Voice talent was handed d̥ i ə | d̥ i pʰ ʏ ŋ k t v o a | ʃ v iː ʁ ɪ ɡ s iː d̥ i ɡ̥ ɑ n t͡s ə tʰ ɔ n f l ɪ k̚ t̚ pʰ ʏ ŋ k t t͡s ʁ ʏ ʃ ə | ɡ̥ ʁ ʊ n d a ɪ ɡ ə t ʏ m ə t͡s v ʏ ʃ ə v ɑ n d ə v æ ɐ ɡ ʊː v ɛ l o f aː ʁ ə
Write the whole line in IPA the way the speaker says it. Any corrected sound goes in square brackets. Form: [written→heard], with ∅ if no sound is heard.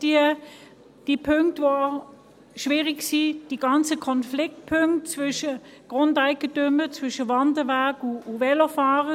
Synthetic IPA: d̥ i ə | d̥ i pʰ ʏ ŋ k t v o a | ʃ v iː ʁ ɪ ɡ s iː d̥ i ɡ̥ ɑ n t͡s ə [tʰ→kʰ] ɔ n f l ɪ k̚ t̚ pʰ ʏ ŋ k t t͡s [ʁ→v] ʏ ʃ ə | ɡ̥ ʁ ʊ n d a ɪ ɡ ə t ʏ m ə t͡s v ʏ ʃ ə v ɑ n d ə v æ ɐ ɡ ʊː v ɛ l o f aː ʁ ə

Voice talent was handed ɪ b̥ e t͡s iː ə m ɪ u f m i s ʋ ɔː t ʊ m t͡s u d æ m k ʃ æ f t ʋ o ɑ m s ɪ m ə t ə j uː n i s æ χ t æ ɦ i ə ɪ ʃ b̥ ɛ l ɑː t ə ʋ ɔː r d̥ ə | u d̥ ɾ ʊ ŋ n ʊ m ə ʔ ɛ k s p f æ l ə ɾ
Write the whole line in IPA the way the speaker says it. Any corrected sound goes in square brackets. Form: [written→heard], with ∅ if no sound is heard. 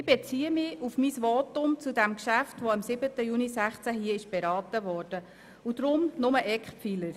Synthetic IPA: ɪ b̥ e t͡s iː ə m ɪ u f m i s ʋ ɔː t ʊ m t͡s u d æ m k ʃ æ f t ʋ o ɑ m s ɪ [m→b] ə t ə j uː n i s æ χ [t→t͡s] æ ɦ i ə ɪ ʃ b̥ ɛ [l→ɾ] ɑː t ə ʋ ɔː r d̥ ə | u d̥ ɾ ʊ [ŋ→m] n ʊ m ə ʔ ɛ k [s→χ] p f [æ→i] l ə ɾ

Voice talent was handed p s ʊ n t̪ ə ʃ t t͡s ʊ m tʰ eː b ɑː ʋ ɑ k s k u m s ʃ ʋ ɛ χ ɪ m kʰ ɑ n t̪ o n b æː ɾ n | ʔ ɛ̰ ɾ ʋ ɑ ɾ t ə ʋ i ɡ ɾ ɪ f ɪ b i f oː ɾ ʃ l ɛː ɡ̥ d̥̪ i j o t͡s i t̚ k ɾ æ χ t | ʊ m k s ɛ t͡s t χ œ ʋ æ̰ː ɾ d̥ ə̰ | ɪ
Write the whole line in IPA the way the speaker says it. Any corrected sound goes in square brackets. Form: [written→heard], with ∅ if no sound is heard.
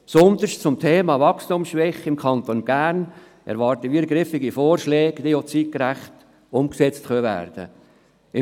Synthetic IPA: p s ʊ n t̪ ə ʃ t t͡s ʊ m tʰ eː [b→m] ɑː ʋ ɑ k s [k→t] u m s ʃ ʋ ɛ χ ɪ m kʰ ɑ n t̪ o n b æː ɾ n | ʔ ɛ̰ ɾ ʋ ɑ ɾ t ə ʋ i ɡ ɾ ɪ f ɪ [b→ɡ] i f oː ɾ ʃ l ɛː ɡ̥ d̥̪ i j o t͡s i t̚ k ɾ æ χ t | ʊ m k s ɛ t͡s t χ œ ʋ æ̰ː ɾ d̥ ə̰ | ɪ

